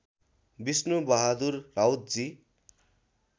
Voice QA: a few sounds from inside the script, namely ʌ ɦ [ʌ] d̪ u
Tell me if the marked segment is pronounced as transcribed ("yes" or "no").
no